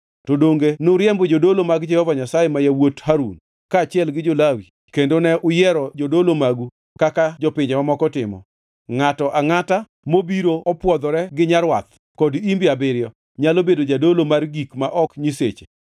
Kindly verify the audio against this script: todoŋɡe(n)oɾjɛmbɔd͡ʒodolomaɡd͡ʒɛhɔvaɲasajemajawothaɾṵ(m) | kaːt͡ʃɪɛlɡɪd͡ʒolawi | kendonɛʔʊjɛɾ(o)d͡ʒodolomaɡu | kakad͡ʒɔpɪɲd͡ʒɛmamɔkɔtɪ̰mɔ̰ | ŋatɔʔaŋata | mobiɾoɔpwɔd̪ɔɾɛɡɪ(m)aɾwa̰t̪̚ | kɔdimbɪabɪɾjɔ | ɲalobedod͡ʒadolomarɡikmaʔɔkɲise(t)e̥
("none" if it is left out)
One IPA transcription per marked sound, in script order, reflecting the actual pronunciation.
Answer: n, n, ɔ, ɲ, t͡ʃ

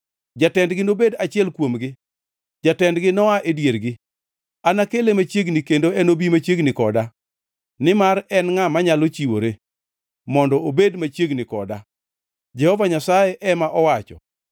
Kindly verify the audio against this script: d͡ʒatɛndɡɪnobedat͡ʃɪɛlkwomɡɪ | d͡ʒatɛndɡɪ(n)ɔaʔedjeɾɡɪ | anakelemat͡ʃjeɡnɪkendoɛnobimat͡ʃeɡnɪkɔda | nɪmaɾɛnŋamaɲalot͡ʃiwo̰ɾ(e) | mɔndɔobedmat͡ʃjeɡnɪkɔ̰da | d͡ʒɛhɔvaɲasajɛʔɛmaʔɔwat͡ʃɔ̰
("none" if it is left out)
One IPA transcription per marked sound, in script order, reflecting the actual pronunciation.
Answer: n, e

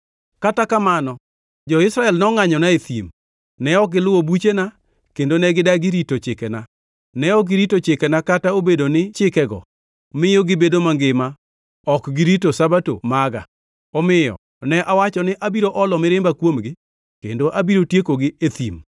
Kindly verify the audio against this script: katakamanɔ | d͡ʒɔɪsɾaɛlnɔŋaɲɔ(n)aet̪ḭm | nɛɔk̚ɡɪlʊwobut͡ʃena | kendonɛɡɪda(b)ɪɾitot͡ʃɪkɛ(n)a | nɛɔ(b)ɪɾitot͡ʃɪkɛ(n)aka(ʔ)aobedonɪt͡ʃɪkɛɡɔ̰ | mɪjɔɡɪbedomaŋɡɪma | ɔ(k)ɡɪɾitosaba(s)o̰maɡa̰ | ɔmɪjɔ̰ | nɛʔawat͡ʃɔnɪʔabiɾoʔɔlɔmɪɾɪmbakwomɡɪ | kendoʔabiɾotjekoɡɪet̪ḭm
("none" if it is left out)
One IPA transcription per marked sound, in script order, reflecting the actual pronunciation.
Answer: n, ɡ, n, ɡ, n, t, k, t

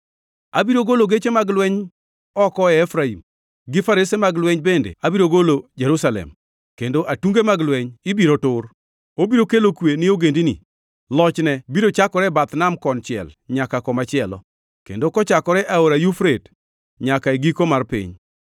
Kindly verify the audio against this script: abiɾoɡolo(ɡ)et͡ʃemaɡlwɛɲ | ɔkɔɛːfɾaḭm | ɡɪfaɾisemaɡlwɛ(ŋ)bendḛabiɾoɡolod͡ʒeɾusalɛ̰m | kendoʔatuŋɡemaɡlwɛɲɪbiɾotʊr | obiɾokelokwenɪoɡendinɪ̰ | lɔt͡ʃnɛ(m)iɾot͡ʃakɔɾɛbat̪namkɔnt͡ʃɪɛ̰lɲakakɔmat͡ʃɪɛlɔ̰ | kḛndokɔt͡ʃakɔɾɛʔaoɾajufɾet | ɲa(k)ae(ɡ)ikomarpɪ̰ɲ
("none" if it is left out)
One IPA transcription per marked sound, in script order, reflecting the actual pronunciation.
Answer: ɡ, ɲ, b, k, ɡ

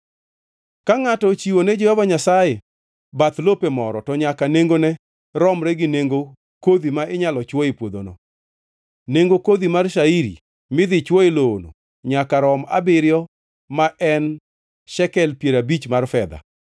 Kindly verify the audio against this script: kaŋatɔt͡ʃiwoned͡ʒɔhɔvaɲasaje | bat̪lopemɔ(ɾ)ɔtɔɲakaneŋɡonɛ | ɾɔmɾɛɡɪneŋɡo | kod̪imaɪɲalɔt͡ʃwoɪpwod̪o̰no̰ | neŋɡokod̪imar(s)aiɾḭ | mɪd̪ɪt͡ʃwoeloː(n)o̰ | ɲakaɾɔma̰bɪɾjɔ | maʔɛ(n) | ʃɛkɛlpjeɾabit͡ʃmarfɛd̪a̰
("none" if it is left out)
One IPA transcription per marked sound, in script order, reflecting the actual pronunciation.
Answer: ɾ, ʃ, n, n

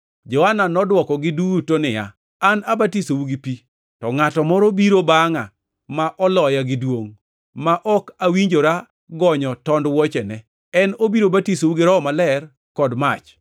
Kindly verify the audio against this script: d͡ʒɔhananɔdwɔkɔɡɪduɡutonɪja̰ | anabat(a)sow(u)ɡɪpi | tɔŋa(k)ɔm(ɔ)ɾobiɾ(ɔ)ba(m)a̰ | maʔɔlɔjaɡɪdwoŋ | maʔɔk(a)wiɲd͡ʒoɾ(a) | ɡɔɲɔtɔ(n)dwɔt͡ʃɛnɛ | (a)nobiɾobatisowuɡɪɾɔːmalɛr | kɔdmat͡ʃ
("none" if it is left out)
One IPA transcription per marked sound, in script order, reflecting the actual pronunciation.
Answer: i, u, t, ɔ, o, ŋ, a, a, n, ɛ

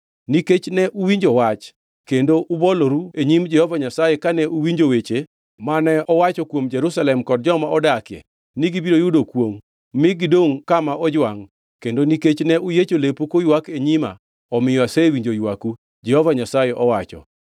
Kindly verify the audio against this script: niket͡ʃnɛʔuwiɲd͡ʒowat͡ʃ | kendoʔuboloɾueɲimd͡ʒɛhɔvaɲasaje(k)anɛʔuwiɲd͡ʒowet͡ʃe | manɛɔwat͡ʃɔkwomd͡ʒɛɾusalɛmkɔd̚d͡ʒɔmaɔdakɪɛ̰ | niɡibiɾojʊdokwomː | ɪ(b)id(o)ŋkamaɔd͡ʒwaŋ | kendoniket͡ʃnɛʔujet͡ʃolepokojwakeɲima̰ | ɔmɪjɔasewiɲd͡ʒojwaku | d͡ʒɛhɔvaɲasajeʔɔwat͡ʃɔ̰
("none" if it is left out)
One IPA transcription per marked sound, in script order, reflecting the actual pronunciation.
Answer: k, ɡ, o

